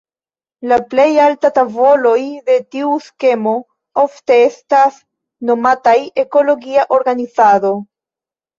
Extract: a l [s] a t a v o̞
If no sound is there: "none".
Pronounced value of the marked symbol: t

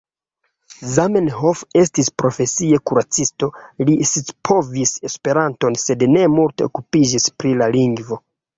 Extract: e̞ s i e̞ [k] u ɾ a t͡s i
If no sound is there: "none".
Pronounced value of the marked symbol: k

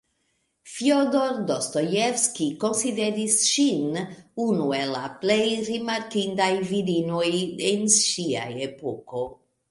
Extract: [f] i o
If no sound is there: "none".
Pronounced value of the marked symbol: f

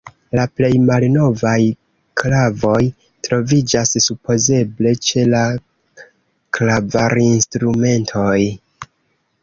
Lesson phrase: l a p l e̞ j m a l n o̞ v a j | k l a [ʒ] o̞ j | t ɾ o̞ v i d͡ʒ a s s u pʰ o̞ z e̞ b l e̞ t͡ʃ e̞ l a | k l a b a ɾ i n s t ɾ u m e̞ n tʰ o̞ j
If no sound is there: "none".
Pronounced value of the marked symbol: v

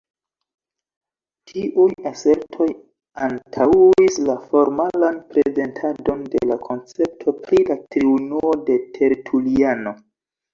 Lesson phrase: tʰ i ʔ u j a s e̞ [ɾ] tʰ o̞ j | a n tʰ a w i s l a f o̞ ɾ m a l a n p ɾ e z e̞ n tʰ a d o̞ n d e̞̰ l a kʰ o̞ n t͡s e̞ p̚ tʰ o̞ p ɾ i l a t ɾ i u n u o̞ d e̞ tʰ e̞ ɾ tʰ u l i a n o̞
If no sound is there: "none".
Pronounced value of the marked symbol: ɾ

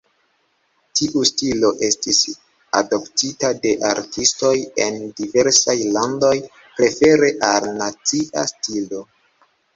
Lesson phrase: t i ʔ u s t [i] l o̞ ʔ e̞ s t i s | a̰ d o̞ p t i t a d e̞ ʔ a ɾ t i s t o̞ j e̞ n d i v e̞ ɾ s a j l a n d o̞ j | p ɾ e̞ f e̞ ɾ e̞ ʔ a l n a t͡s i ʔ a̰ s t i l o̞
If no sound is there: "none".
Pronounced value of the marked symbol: i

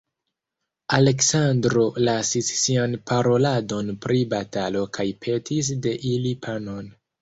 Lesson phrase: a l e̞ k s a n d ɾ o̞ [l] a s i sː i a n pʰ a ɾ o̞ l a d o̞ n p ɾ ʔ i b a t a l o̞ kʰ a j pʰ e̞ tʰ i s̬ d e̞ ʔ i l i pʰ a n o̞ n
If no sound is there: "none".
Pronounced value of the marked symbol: l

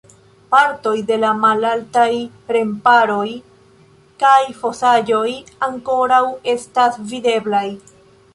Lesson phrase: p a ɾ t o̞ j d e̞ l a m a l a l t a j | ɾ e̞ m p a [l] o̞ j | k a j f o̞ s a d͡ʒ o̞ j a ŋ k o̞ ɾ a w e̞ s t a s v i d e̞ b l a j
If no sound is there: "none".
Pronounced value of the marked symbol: ɾ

